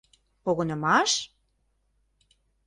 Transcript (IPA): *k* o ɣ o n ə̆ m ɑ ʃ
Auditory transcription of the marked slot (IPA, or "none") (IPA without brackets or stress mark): p